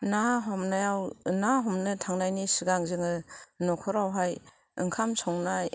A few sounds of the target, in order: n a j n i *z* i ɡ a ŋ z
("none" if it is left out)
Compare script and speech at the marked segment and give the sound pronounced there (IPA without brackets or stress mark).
s